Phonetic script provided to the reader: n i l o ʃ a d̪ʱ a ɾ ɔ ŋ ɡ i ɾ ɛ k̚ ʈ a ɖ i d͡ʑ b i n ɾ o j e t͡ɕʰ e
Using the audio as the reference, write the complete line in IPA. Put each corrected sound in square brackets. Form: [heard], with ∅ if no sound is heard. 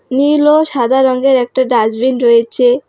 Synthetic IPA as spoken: n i l o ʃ a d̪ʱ a ɾ ɔ ŋ ɡ [e] ɾ ɛ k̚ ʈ a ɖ [a] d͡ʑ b i n ɾ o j e t͡ɕʰ e